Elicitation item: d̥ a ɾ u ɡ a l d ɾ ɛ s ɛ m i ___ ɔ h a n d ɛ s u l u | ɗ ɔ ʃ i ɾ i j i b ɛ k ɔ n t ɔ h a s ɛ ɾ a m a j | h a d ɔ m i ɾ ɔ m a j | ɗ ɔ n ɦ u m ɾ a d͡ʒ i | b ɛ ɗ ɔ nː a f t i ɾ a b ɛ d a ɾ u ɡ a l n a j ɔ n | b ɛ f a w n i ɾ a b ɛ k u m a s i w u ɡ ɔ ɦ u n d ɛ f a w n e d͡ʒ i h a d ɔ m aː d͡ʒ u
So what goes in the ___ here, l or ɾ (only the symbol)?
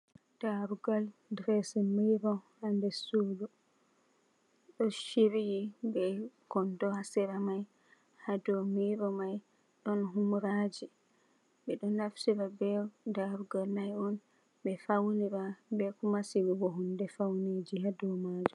ɾ